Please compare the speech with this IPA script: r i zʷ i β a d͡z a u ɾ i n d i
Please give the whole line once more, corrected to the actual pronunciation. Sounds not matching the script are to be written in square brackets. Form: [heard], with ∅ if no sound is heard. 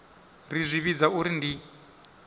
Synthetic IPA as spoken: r i zʷ i β [i] d͡z a u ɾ i n d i